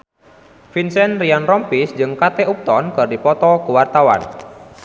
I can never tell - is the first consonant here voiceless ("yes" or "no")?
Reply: yes